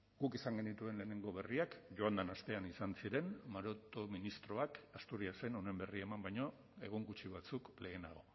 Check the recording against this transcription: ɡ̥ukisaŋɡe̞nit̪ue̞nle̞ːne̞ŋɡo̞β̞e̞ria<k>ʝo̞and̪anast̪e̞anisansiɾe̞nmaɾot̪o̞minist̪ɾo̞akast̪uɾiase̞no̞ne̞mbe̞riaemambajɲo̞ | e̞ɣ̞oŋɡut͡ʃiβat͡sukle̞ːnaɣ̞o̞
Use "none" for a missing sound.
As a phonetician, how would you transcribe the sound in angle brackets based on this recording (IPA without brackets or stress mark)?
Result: k